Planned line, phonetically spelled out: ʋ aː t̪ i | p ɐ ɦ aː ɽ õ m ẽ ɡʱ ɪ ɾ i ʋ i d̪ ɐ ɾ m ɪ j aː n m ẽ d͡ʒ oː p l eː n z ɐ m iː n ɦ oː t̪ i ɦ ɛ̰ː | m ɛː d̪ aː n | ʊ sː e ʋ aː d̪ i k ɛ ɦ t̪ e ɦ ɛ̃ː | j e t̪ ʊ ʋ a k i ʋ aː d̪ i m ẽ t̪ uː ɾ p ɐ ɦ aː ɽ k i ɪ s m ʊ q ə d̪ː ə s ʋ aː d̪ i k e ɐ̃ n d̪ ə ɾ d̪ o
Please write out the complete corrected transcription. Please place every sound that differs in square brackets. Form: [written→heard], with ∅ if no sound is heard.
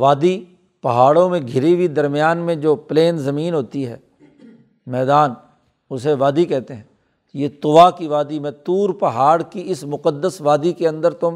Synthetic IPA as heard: ʋ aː [t̪→d̪] i | p ɐ ɦ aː ɽ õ m ẽ ɡʱ ɪ ɾ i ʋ i d̪ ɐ ɾ m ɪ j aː n m ẽ d͡ʒ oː p l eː n z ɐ m iː n ɦ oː t̪ i ɦ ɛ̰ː | m ɛː d̪ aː n | ʊ [sː→s] e ʋ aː d̪ i k ɛ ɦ t̪ e ɦ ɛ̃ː | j e t̪ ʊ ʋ a k i ʋ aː d̪ i m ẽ t̪ uː ɾ p ɐ ɦ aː ɽ k i ɪ s m ʊ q ə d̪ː ə s ʋ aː d̪ i k e ɐ̃ n d̪ ə ɾ [d̪→t̪] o